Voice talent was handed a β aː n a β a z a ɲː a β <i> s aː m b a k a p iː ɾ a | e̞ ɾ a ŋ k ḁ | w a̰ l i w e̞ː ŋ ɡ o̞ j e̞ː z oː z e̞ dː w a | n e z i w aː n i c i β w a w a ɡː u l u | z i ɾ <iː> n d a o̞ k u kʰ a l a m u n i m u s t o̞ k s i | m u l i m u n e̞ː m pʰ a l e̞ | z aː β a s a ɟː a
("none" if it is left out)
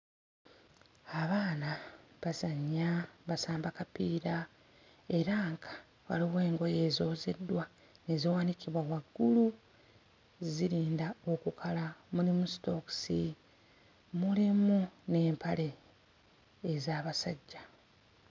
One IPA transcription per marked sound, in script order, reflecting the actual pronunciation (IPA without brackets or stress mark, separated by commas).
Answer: a, iː